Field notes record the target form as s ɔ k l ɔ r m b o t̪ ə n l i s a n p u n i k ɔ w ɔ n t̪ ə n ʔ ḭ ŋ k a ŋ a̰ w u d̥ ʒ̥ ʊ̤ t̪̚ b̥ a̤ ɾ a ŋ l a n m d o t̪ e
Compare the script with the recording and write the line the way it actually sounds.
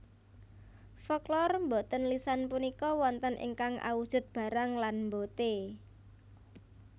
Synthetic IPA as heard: f ɔ k l ɔ r m b o t̪ ə n l i s a n p u n i k ɔ w ɔ n t̪ ə n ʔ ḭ ŋ k a ŋ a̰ w u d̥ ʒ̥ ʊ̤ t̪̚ b̥ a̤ ɾ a ŋ l a n m b o t̪ e

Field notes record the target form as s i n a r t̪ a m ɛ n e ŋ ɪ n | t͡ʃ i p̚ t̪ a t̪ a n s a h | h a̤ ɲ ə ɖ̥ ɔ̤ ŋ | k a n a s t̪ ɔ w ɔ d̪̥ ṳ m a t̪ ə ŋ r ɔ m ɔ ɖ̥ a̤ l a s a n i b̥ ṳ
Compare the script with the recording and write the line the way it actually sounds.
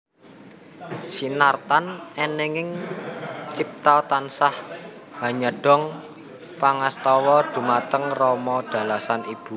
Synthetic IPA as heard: s i n a r t̪ a n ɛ n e ŋ ɪ ŋ | t͡ʃ i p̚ t̪ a t̪ a n s a h | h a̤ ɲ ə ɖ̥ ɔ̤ ŋ | p a ŋ a s t̪ ɔ w ɔ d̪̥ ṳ m a t̪ ə ŋ r ɔ m ɔ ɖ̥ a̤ l a s a n i b̥ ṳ

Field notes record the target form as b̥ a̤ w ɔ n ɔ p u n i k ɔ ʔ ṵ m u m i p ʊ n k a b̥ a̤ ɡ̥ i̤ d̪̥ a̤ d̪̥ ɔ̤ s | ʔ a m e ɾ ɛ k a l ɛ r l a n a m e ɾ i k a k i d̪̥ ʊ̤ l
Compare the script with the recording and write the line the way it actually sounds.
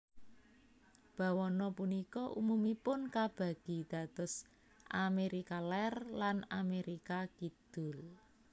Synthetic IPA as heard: b̥ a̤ w ɔ n ɔ p u n i k ɔ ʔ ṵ m u m i p ʊ n k a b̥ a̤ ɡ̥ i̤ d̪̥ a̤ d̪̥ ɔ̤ s | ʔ a m e ɾ i k a l ɛ r l a n a m e ɾ i k a k i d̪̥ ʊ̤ l

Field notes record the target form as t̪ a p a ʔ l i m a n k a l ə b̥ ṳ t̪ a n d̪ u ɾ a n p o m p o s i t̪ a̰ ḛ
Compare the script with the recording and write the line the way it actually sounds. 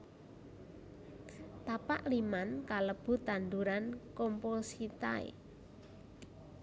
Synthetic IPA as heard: t̪ a p a ʔ l i m a n k a l ə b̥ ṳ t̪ a n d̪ u ɾ a n k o m p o s i t̪ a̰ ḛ

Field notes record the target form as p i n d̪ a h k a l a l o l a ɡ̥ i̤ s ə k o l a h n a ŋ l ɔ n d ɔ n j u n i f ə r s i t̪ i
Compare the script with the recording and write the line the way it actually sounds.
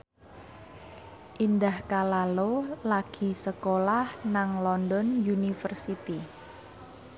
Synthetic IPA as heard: ʔ i n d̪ a h k a l a l o l a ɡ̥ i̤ s ə k o l a h n a ŋ l ɔ n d ɔ n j u n i f ə r s i t̪ i

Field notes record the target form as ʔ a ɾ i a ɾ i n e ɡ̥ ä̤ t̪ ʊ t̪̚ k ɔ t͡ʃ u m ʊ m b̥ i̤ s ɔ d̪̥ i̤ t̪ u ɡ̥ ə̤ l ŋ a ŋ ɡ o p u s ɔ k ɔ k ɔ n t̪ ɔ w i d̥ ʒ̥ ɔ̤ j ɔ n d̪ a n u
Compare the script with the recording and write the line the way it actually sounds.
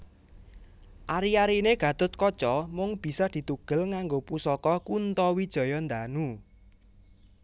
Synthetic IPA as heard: ʔ a ɾ i a ɾ i n e ɡ̥ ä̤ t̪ ʊ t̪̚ k ɔ t͡ʃ ɔ m ʊ ŋ b̥ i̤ s ɔ d̪̥ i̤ t̪ u ɡ̥ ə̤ l ŋ a ŋ ɡ o p u s ɔ k ɔ k u n t̪ ɔ w i d̥ ʒ̥ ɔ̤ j ɔ n d̪ a n u

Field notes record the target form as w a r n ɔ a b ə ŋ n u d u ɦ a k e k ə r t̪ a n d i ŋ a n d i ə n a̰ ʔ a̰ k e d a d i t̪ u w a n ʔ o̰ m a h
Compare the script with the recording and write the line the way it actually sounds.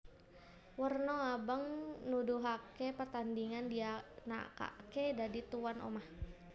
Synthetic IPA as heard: w ə r n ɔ a b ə ŋ n u d u ɦ a k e p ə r t̪ a n d i ŋ a n d i a n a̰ k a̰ k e d a d i t̪ u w a n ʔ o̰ m a h

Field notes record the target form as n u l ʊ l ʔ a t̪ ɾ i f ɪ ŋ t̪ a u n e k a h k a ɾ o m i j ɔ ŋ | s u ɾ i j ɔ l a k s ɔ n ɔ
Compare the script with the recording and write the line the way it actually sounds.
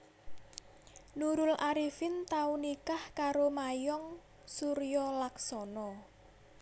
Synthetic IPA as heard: n u ɾ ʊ l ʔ a ɾ i f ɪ n t̪ a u n i k a h k a ɾ o m a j ɔ ŋ | s u ɾ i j ɔ l a k s ɔ n ɔ

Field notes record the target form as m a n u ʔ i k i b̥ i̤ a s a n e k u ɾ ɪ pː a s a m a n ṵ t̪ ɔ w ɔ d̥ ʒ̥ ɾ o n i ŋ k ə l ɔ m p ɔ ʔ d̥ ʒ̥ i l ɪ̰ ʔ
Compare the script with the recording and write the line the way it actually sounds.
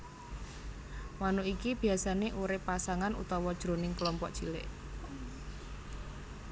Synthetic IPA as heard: m a n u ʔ i k i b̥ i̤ a s a n e ʔ u ɾ ɪ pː a s a ŋ a n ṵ t̪ ɔ w ɔ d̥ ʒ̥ ɾ o n ɪ ŋ k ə l ɔ m p ɔ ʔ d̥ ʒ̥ i l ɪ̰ ʔ

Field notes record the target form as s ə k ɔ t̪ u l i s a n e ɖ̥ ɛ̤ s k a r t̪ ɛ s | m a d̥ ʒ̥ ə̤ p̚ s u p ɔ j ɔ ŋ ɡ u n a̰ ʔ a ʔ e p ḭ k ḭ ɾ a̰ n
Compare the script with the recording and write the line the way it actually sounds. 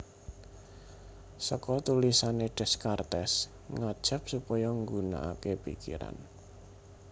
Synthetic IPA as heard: s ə k ɔ t̪ u l i s a n e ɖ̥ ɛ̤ s k a r t̪ ɛ s | ŋ a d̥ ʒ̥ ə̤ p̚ s u p ɔ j ɔ ŋ ɡ u n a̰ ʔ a k e p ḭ k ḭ ɾ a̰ n

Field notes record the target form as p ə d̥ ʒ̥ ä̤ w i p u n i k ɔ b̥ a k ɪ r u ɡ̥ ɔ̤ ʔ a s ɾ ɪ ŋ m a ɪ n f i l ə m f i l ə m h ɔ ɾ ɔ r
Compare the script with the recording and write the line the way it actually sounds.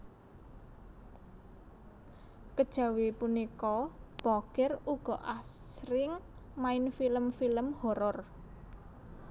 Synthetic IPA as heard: k ə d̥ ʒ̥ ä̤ w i p u n i k ɔ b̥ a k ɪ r u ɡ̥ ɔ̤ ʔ a s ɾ ɪ ŋ m a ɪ n f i l ə m f i l ə m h ɔ ɾ ɔ r

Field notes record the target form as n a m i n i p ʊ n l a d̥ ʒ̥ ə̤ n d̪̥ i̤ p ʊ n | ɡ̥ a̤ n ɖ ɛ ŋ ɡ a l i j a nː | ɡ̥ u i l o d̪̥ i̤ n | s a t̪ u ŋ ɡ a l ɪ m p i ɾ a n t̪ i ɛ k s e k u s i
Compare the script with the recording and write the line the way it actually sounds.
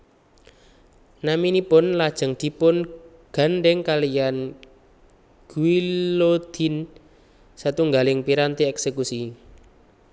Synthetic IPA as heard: n a m i n i p ʊ n l a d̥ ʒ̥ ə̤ ŋ d̪̥ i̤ p ʊ n | ɡ̥ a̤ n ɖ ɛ ŋ k a l i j a n | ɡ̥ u i l o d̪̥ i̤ n | s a t̪ u ŋ ɡ a l ɪ ŋ p i ɾ a n t̪ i ɛ k s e k u s i

